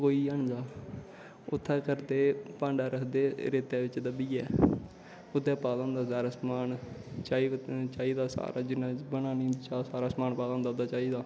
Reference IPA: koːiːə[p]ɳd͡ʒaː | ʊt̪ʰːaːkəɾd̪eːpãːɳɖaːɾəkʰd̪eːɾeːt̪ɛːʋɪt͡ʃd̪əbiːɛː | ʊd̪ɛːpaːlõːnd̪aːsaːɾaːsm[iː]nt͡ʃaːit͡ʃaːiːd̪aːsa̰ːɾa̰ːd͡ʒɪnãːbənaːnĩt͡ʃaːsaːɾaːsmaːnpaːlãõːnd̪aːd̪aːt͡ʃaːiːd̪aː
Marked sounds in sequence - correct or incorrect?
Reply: incorrect: none, incorrect: aː

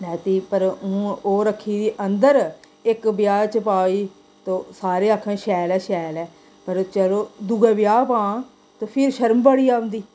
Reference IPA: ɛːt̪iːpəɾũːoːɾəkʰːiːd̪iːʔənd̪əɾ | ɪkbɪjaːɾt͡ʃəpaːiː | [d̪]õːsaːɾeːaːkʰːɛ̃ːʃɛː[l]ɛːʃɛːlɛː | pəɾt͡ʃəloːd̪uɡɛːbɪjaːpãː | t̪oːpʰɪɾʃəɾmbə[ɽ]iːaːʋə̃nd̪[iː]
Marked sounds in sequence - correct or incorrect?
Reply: incorrect: t̪, correct, correct, correct

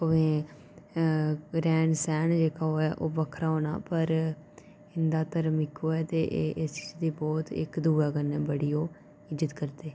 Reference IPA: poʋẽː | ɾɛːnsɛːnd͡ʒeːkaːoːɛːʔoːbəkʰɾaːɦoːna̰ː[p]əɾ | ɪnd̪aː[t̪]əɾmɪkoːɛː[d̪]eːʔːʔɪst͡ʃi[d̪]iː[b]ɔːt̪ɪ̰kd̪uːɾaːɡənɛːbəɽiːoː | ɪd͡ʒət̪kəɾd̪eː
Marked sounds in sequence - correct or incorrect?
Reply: correct, correct, incorrect: t̪, correct, correct

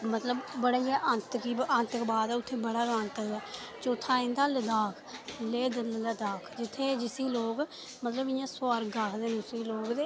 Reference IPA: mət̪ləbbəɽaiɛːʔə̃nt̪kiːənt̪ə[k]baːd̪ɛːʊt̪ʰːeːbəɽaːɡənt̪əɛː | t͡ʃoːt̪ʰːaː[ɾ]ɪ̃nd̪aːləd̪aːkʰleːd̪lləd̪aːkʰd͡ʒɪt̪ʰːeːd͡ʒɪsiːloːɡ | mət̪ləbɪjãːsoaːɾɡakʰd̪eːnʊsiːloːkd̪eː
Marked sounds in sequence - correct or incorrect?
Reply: correct, incorrect: none

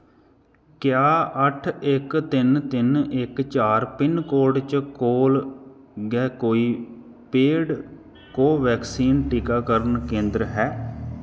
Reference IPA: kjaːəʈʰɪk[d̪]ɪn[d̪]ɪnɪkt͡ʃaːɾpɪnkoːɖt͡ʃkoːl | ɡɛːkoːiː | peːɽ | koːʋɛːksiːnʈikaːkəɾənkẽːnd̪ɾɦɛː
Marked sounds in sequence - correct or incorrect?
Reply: incorrect: t̪, incorrect: t̪

